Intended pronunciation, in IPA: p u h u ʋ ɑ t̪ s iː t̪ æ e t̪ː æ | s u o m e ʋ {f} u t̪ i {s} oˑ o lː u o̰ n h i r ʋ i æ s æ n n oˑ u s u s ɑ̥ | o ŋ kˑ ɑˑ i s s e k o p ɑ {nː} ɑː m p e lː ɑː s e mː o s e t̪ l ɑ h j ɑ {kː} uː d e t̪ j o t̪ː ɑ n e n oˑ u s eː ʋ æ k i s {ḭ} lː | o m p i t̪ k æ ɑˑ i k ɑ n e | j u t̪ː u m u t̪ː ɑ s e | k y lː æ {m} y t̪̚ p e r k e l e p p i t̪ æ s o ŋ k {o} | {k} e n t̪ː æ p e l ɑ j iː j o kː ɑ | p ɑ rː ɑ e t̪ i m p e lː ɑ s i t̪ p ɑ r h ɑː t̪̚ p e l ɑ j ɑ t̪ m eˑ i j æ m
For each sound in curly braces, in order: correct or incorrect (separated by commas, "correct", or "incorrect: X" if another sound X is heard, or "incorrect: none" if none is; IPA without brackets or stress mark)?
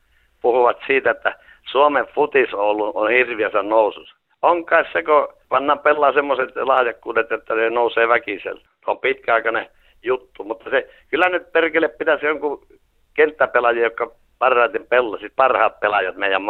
correct, correct, correct, correct, incorrect: ḛ, incorrect: n, incorrect: u, correct